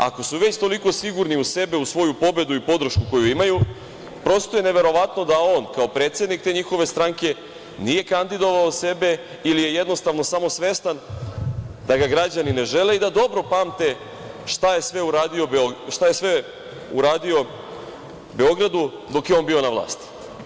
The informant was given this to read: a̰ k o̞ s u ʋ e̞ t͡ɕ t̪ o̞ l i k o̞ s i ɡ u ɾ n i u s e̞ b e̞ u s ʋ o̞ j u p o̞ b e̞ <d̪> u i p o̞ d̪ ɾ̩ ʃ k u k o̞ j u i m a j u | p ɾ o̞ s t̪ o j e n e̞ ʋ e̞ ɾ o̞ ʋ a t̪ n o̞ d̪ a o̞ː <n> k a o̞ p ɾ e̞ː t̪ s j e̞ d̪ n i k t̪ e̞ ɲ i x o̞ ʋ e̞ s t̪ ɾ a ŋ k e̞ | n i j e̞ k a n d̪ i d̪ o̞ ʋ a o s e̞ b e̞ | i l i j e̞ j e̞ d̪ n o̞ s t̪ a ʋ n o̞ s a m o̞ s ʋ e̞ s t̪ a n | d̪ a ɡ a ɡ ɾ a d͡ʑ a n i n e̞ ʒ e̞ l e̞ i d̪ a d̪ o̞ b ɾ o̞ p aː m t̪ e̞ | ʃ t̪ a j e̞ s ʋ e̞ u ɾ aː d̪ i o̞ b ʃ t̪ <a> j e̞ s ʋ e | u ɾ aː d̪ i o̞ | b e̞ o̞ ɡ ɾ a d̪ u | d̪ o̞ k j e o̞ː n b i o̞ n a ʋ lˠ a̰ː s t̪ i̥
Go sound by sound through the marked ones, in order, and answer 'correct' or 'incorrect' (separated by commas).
correct, correct, correct